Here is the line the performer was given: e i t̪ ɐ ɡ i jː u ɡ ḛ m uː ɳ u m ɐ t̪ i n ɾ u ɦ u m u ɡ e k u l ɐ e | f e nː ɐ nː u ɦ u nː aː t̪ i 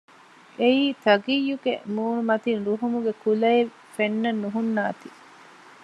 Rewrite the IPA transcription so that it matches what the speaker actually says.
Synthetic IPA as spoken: e iː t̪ ɐ ɡ i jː u ɡ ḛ m uː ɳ u m ɐ t̪ i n ɾ u ɦ u m u ɡ e k u l ɐ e | f e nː ɐ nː u ɦ u nː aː t̪ i